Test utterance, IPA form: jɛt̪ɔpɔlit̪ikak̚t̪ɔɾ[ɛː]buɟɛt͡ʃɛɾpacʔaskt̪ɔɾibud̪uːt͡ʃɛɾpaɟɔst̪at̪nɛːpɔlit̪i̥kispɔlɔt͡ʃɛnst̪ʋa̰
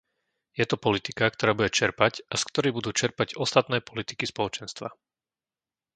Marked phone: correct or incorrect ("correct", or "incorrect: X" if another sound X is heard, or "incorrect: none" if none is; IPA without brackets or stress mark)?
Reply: incorrect: aː